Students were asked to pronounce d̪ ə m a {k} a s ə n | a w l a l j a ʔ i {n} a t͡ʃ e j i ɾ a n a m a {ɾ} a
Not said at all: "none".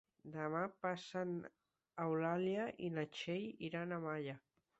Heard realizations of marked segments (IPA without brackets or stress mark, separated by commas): p, n, ʎ